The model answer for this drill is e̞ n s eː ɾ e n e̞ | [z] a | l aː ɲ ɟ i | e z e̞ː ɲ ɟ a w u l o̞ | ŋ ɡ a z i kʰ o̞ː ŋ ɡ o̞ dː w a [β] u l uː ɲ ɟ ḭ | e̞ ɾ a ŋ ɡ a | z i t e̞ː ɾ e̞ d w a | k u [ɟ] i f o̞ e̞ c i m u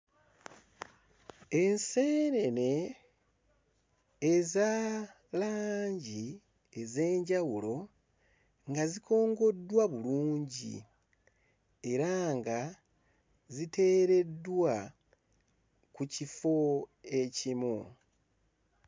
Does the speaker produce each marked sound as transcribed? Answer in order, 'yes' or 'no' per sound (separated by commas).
yes, yes, no